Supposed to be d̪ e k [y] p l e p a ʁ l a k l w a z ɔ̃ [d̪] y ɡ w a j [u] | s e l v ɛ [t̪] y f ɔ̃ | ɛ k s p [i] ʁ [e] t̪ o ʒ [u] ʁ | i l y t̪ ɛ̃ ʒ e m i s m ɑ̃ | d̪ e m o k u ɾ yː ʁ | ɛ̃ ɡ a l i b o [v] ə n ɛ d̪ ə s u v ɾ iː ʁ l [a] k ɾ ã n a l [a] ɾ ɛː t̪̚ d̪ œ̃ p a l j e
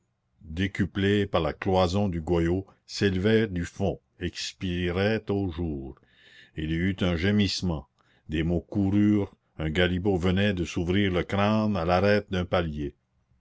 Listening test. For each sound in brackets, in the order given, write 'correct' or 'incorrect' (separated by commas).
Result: correct, correct, incorrect, incorrect, correct, incorrect, incorrect, correct, incorrect, correct